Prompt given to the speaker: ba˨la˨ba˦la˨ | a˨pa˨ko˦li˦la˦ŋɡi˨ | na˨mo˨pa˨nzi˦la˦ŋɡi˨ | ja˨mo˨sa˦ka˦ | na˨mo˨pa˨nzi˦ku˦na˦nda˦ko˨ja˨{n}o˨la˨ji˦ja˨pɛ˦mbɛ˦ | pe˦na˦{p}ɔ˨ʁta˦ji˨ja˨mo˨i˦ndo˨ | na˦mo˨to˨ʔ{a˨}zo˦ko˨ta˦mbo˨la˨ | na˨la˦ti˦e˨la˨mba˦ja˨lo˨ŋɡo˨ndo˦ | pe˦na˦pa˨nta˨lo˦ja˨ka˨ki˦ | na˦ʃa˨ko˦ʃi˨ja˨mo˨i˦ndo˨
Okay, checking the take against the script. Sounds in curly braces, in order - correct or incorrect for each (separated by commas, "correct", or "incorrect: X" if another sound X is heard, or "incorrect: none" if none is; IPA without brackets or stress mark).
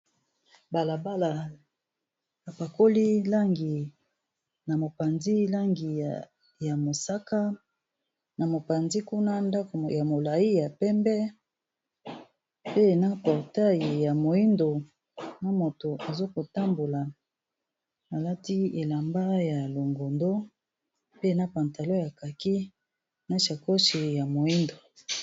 incorrect: m, correct, correct